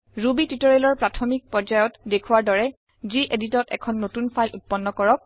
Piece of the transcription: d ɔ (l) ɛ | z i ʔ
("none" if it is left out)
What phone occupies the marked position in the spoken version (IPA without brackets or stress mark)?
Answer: ɹ